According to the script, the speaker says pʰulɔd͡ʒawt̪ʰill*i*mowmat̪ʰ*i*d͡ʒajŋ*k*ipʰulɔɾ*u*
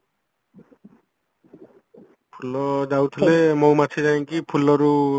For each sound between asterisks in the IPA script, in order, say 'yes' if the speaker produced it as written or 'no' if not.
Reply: no, yes, yes, yes

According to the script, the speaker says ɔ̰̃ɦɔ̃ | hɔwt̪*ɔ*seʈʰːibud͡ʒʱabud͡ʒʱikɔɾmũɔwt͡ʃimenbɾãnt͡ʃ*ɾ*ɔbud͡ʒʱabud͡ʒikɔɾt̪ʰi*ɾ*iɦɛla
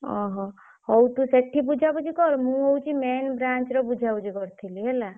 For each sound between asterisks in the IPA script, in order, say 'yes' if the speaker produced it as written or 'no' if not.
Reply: no, yes, no

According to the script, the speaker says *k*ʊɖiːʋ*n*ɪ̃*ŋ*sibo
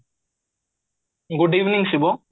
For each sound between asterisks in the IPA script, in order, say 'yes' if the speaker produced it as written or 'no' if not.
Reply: no, yes, yes

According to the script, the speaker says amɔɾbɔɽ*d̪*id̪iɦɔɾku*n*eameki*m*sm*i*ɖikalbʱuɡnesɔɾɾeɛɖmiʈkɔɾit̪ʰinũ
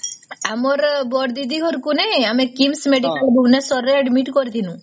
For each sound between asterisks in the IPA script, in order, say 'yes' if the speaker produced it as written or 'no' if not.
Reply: yes, yes, yes, no

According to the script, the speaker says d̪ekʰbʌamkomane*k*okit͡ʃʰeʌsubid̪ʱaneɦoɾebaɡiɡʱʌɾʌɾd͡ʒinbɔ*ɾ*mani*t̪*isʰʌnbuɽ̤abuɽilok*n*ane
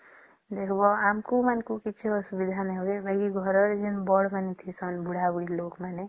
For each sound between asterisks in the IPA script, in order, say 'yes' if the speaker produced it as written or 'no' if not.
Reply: yes, no, no, no

